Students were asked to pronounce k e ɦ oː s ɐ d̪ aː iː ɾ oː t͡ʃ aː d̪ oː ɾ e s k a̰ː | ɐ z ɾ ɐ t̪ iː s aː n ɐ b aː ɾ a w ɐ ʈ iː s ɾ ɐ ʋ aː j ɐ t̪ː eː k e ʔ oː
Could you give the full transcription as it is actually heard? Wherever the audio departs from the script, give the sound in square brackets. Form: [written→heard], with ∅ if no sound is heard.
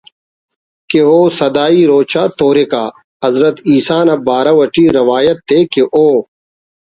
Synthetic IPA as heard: k e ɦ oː s ɐ d̪ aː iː ɾ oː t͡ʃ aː [d̪→t̪] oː ɾ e [s→∅] k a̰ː | ɐ z ɾ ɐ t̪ iː s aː n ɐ b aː ɾ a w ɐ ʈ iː [s→∅] ɾ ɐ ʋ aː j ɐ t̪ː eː k e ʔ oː